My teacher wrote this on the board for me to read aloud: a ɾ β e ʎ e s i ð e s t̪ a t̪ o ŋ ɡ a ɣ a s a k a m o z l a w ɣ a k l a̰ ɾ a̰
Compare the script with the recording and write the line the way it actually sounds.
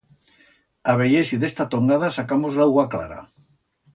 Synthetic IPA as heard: a β e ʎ e s i ð e s t̪ a t̪ o ŋ ɡ a ð a s a k a m o z l a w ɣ a k l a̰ ɾ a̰